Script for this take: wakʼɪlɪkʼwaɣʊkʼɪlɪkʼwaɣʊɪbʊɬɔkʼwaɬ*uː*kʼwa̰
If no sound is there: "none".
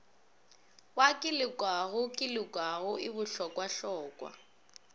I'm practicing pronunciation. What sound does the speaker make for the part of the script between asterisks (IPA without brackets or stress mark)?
ɔː